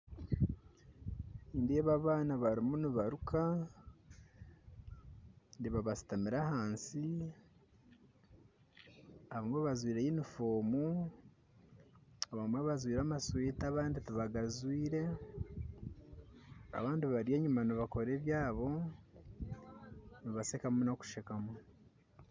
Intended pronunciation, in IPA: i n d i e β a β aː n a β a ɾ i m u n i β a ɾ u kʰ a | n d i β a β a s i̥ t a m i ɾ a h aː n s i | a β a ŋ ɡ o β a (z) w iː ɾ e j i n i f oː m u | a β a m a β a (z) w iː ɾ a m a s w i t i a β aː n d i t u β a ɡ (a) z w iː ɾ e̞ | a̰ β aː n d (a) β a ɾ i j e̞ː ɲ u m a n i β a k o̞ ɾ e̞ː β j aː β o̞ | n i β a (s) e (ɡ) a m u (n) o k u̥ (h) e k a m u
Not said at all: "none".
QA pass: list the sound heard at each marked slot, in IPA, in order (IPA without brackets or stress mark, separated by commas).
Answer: z, z, a, i, s, k, n, ʃ